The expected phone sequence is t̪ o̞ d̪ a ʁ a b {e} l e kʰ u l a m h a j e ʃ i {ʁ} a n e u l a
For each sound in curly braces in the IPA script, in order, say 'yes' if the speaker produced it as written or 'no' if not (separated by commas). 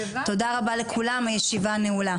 no, no